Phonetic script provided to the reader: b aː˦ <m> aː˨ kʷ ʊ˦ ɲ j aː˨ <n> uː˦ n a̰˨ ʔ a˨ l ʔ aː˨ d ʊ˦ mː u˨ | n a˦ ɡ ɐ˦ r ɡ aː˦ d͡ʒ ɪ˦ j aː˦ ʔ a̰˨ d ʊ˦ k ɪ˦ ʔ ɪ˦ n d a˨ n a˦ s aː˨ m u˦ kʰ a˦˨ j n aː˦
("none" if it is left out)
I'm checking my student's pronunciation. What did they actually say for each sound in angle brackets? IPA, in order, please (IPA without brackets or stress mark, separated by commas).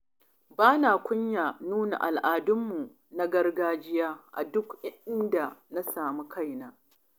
n, n